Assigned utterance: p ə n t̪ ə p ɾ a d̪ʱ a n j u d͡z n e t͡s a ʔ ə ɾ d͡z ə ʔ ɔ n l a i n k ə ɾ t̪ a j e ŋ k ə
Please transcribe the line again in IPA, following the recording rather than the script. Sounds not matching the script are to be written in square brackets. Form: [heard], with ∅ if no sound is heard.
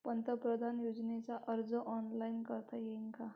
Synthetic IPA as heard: p ə n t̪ ə p ɾ [ə] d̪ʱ a n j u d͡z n e t͡s a ʔ ə ɾ d͡z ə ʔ ɔ n l a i n k ə ɾ t̪ a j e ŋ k [a]